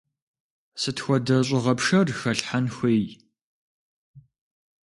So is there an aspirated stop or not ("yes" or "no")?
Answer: no